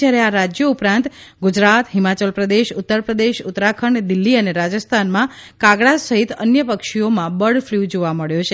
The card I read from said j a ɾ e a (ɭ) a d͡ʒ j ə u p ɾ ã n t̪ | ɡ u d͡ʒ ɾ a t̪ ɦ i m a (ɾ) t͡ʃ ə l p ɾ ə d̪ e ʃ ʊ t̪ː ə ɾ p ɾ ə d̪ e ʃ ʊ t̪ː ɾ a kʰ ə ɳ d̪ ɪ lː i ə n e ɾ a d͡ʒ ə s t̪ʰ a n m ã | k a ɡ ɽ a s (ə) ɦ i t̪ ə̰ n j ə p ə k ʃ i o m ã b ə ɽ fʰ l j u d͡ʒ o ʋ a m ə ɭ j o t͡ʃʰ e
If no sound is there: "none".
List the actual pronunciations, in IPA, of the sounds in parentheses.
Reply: ɾ, none, ə

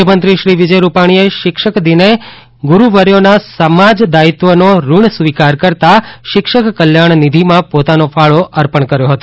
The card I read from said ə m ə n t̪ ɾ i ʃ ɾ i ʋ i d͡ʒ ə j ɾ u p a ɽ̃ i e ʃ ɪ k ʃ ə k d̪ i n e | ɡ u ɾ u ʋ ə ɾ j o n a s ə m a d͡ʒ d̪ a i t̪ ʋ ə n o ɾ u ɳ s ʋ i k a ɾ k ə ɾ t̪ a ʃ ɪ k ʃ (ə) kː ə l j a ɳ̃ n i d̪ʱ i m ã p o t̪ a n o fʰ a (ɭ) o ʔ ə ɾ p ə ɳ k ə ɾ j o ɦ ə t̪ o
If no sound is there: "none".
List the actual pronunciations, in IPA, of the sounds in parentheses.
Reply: ə, ɭ

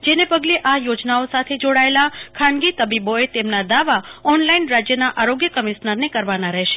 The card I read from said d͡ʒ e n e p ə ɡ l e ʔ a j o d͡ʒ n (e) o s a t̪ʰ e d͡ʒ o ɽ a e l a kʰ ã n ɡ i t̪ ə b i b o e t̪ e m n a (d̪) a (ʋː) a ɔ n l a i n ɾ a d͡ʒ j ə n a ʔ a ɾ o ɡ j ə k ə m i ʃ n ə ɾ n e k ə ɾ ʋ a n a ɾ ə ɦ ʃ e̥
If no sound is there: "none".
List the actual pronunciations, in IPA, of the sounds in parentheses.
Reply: a, d̪, ʋ

